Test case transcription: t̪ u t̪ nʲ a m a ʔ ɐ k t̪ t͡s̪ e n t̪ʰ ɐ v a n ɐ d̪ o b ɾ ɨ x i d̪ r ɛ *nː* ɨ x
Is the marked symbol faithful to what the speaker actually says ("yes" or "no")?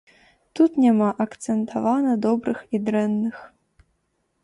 yes